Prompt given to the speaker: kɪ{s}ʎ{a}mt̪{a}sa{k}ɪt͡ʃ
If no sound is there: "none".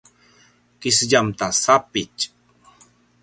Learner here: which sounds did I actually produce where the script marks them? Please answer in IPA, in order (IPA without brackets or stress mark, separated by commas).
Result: s, a, a, p